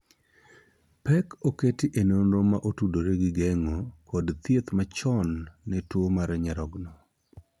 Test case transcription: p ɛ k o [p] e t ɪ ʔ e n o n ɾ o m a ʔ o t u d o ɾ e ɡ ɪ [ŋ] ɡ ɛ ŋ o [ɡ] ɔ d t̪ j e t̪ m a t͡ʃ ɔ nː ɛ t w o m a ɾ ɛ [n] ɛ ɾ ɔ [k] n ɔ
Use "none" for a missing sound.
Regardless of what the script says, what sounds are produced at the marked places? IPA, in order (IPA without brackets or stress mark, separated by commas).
k, none, k, ɲ, ɡ